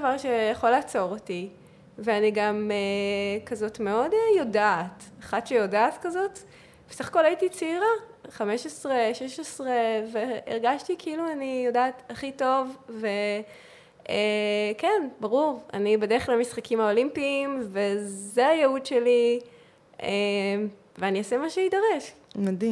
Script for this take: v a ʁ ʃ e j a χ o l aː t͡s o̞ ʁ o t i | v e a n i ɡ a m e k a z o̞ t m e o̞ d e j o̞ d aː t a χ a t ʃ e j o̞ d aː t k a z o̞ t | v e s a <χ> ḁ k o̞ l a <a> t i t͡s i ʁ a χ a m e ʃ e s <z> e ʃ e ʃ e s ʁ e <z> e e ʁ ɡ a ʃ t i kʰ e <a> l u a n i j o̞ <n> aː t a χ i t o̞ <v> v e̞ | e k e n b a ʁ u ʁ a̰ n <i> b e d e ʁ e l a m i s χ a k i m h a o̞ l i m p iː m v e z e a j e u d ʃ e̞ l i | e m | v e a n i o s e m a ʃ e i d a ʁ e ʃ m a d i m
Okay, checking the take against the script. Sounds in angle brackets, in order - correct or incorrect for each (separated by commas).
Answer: correct, incorrect, incorrect, incorrect, incorrect, incorrect, correct, correct